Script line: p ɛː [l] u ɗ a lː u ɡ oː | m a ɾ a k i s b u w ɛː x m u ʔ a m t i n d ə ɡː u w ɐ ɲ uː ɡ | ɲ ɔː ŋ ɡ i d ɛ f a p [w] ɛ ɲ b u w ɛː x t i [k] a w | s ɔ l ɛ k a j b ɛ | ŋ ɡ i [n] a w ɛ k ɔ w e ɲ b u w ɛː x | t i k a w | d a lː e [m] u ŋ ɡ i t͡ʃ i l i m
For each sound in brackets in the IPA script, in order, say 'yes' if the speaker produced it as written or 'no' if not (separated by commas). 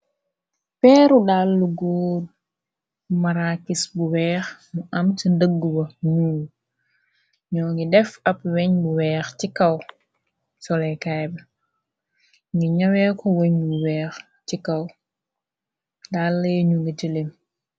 no, yes, yes, no, no